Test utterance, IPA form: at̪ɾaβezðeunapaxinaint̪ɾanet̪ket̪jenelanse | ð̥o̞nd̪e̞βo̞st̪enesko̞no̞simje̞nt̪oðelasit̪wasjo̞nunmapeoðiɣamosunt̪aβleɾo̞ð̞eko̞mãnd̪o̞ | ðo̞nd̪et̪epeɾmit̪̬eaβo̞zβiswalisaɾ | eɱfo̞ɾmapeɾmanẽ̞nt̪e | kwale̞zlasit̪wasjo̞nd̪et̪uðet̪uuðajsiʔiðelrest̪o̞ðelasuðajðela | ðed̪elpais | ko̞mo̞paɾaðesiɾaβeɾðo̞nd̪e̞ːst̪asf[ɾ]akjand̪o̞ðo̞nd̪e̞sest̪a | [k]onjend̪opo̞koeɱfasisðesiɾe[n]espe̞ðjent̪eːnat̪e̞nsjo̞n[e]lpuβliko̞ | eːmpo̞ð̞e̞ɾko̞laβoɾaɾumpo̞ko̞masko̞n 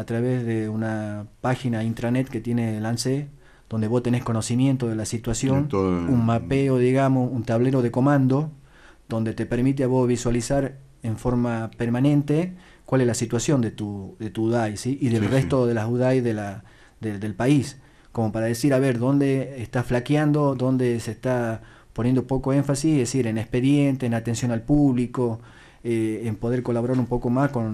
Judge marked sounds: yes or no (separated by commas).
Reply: no, no, yes, no